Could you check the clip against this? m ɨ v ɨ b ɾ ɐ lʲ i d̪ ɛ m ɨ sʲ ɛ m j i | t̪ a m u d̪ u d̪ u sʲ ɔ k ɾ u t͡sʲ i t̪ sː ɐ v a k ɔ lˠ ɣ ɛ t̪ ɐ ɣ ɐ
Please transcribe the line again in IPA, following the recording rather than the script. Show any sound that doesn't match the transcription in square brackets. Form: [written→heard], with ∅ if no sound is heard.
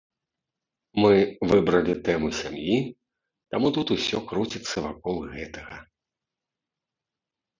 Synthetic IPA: m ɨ v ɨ b ɾ ɐ lʲ i [d̪→t̪] ɛ m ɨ sʲ [ɛ→a] m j i | t̪ a m u [d̪→t̪] u [d̪→t̪] u sʲ ɔ k ɾ u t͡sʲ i t̪ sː ɐ v a k ɔ lˠ ɣ ɛ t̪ ɐ ɣ ɐ

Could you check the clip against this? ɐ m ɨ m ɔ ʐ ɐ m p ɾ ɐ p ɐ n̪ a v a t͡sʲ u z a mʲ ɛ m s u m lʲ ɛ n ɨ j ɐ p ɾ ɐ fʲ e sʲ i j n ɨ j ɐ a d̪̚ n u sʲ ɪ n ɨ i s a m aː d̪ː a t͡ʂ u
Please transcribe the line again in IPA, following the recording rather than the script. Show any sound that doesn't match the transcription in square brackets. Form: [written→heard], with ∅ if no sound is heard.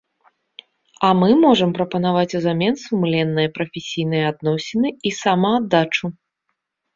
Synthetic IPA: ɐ m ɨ m ɔ ʐ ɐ m p ɾ ɐ p ɐ n̪ a v a t͡sʲ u z a mʲ ɛ [m→n] s u m lʲ ɛ [n→nː] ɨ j ɐ p ɾ ɐ fʲ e sʲ i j n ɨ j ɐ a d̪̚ n [u→ɔ] sʲ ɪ n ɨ i s a m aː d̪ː a t͡ʂ u

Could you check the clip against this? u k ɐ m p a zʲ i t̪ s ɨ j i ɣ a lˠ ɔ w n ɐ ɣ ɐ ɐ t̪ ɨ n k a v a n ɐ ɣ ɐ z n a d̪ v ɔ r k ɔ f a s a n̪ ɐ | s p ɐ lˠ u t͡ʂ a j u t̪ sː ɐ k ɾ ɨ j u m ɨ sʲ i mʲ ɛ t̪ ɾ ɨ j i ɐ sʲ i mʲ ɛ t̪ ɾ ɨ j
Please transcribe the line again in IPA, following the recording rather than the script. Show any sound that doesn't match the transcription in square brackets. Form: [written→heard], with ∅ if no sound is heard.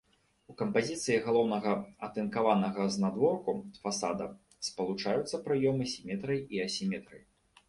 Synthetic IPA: u k ɐ m p a zʲ i t̪ s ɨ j i ɣ a lˠ ɔ w n ɐ ɣ ɐ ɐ t̪ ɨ n k a v a n ɐ ɣ ɐ z n a d̪ v ɔ r k [ɔ→u] f a s a [n̪→d̪] ɐ | s p ɐ lˠ u t͡ʂ a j u t̪ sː ɐ [k→p] ɾ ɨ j [u→ɔ] m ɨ sʲ i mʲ ɛ t̪ ɾ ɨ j i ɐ sʲ i mʲ ɛ t̪ ɾ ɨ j

